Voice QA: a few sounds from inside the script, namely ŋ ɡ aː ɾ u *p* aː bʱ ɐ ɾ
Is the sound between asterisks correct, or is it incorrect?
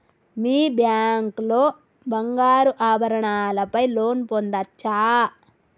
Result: incorrect